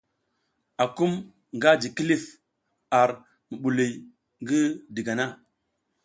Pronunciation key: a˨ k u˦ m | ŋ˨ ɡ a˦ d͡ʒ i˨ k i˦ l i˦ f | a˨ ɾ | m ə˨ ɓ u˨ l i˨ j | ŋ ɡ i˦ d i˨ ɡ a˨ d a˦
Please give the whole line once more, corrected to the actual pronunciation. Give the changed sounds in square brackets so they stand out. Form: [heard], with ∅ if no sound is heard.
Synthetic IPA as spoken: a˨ k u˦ m | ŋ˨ ɡ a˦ d͡ʒ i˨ k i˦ l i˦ f | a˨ ɾ | m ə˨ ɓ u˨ l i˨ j | ŋ ɡ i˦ d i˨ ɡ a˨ [n] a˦

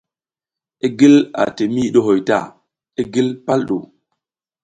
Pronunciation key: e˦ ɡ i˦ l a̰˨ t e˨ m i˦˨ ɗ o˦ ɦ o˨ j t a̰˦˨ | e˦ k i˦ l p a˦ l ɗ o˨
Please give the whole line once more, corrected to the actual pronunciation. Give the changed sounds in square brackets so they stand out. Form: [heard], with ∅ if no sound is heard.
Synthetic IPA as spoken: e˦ ɡ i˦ l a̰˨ t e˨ m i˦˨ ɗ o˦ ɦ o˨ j t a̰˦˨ | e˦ [ɡ] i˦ l p a˦ l ɗ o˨

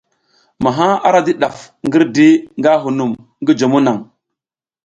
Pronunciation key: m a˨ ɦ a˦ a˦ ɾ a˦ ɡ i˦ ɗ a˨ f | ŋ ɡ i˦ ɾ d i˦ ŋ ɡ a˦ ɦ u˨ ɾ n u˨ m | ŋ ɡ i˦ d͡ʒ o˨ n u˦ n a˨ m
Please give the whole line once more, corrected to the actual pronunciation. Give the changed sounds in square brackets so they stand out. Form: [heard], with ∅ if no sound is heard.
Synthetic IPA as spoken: m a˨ ɦ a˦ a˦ ɾ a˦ [d] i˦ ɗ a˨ f | ŋ ɡ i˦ ɾ d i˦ ŋ ɡ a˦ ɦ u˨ [∅] n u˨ m | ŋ ɡ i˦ d͡ʒ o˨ [m] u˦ n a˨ [ŋ]

